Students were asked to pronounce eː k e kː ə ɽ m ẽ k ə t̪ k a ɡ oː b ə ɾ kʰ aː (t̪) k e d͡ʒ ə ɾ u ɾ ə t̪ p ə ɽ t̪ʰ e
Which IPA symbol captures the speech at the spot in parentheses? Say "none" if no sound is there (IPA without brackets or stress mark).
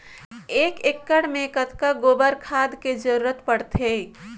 d̪